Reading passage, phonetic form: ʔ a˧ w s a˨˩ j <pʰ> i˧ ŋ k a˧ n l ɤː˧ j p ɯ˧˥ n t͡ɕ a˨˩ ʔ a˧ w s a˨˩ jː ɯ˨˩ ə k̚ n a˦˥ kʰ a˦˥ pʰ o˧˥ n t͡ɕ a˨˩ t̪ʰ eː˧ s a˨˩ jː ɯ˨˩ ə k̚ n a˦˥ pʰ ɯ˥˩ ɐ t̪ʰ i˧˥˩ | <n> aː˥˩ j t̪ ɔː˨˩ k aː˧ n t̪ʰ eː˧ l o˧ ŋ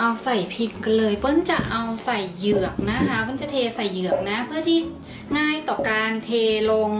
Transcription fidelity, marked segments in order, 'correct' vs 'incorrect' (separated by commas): correct, incorrect